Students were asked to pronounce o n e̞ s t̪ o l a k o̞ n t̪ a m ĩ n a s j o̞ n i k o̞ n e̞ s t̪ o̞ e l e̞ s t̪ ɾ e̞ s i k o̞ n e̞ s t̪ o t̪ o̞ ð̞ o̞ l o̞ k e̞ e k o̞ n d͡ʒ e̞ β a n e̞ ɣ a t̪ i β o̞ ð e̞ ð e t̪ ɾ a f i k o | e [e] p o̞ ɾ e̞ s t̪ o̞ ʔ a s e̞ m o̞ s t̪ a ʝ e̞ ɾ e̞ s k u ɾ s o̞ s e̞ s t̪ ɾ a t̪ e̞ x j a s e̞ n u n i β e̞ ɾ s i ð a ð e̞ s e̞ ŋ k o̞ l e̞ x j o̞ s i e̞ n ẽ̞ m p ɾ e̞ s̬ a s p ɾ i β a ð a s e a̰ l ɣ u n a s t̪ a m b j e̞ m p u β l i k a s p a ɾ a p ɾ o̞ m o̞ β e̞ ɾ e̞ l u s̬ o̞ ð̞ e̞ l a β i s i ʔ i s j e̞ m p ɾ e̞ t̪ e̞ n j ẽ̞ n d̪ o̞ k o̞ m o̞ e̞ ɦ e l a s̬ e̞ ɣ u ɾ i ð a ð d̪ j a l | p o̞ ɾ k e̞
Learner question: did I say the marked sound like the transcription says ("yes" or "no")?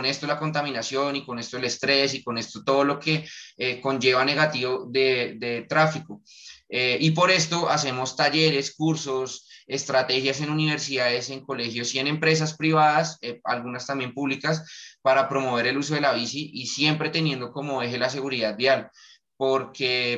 no